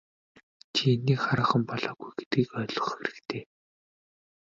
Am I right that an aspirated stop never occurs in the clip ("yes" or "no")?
no